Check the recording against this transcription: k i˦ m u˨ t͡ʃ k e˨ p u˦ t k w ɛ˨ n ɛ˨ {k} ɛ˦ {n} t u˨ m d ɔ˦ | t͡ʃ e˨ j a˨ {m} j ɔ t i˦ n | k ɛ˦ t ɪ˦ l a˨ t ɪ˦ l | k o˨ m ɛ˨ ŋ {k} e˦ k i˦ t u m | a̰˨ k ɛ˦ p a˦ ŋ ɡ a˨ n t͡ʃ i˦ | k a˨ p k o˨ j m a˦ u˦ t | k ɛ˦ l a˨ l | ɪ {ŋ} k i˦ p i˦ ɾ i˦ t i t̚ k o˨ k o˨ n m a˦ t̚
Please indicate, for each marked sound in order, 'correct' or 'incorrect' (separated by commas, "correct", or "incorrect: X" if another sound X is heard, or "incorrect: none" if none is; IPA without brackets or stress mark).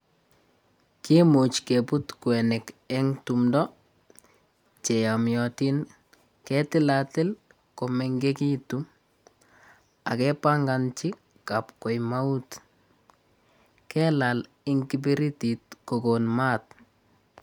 correct, incorrect: ŋ, correct, incorrect: ɡ, correct